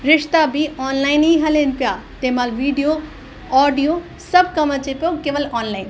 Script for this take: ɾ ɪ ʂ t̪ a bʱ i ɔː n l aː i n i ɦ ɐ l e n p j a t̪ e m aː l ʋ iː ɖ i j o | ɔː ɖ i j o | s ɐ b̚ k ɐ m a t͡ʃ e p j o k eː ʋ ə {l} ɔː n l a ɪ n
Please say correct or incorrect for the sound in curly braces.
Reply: correct